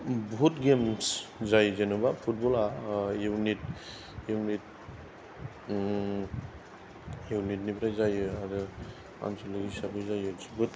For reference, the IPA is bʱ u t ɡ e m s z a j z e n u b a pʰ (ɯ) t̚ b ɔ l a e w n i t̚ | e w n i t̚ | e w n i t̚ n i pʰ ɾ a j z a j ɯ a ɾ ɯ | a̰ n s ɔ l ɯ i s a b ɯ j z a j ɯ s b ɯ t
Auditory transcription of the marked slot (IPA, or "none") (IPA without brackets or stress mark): u